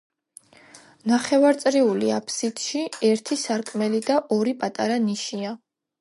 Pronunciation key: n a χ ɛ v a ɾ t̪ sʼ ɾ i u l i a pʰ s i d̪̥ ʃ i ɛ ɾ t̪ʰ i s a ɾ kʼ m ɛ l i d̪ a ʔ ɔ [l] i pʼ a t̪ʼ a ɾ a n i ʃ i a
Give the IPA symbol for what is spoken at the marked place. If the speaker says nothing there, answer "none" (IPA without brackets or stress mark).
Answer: ɾ